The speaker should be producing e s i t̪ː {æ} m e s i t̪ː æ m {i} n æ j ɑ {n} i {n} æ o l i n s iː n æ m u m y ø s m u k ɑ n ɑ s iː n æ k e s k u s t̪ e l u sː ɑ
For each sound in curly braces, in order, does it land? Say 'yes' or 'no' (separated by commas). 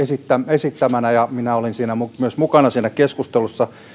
yes, no, no, yes